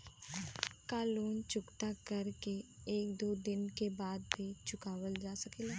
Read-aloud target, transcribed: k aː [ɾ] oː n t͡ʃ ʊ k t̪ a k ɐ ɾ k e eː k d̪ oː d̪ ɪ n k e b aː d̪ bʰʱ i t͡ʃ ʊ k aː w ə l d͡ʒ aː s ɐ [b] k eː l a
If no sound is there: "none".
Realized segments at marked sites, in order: l, none

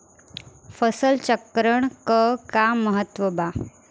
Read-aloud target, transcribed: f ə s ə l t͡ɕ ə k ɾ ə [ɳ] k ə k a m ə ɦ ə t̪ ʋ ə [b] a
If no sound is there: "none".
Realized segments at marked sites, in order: ɳ, b

